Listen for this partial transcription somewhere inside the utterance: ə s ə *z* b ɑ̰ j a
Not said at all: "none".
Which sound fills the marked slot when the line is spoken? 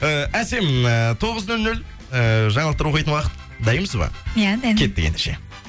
z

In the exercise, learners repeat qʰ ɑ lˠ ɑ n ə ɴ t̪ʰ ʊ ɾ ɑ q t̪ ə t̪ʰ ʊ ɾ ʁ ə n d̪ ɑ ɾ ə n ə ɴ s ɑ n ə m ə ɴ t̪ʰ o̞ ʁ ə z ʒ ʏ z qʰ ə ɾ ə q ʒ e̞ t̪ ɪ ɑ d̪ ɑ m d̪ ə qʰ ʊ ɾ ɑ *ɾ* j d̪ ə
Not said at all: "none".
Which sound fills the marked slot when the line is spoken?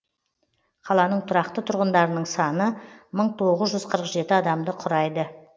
none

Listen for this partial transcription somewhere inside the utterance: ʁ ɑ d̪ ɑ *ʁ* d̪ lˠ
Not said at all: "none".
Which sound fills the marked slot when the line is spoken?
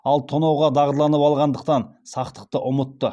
ʁ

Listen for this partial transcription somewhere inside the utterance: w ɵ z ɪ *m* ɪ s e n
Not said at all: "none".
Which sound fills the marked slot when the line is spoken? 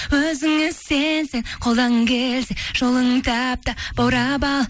ŋ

